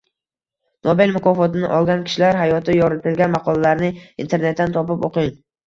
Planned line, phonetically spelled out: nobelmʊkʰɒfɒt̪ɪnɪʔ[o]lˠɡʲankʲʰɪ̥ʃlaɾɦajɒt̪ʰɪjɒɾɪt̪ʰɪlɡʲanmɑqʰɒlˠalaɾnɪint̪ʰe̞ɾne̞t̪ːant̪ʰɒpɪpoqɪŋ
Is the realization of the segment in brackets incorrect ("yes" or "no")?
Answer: yes